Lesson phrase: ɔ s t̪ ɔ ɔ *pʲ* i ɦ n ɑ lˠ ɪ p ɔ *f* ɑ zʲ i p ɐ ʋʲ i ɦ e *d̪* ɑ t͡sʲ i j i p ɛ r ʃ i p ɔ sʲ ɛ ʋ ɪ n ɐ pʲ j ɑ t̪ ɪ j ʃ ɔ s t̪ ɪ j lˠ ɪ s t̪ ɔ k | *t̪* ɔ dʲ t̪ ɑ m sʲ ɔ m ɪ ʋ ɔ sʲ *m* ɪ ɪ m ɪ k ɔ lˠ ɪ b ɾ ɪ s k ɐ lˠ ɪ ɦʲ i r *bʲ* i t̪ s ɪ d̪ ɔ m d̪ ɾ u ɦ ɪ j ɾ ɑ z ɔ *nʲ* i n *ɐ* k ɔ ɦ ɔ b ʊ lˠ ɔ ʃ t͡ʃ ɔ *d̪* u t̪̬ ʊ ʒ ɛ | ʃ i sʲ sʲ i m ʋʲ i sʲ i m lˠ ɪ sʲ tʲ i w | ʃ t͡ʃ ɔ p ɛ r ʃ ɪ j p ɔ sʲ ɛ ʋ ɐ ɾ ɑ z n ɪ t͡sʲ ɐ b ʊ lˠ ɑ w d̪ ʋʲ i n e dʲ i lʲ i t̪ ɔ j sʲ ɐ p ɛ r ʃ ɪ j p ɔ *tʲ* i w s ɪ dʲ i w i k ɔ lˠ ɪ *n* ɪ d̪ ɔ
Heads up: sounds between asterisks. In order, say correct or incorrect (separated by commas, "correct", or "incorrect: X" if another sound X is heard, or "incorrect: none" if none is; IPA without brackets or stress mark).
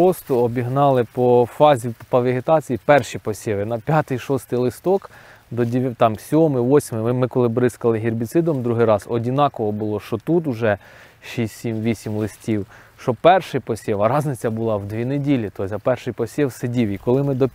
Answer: incorrect: bʲ, correct, incorrect: t̪, incorrect: d̪, correct, correct, incorrect: dʲ, incorrect: ɑ, incorrect: t̪, incorrect: sʲ, incorrect: m